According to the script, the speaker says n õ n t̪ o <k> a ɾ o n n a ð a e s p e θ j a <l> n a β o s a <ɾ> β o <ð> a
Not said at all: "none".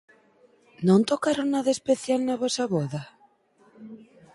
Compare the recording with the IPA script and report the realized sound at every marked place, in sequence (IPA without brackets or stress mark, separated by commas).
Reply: k, l, none, ð